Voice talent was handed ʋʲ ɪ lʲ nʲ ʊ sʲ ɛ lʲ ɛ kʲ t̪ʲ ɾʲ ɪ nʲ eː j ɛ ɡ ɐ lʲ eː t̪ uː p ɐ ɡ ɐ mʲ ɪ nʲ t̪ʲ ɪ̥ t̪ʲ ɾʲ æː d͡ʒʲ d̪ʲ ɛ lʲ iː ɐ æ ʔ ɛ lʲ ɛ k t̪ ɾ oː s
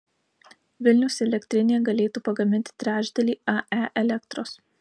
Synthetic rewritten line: ʋʲ ɪ lʲ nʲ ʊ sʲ ɛ lʲ ɛ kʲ t̪ʲ ɾʲ ɪ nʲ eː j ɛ ɡ ɐ lʲ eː t̪ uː p ɐ ɡ ɐ mʲ ɪ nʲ t̪ʲ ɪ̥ t̪ʲ ɾʲ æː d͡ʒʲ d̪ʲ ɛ lʲ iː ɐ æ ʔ ɛ lʲ ɛ k t̪ ɾ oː s